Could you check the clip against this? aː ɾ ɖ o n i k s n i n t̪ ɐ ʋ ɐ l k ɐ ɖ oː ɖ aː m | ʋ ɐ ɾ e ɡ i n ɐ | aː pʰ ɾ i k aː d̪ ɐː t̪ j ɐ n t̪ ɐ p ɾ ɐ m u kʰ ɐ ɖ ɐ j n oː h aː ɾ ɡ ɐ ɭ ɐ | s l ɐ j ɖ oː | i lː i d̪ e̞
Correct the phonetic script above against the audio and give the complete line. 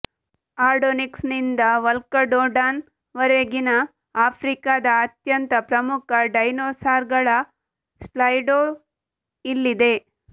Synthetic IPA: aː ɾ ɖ o n i k s n i n d̪ ɐ ʋ ɐ l k ɐ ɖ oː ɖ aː n | ʋ ɐ ɾ e ɡ i n ɐ | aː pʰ ɾ i k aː d̪ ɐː t̪ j ɐ n t̪ ɐ p ɾ ɐ m u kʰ ɐ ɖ ɐ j n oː s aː ɾ ɡ ɐ ɭ ɐ | s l ɐ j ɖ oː | i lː i d̪ e̞